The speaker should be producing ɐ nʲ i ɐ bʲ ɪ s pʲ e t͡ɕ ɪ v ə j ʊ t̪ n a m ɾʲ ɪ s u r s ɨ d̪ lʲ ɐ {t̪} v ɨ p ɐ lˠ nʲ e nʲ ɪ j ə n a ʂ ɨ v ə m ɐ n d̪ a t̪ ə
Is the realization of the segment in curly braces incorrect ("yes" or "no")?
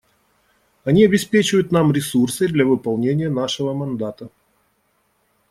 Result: yes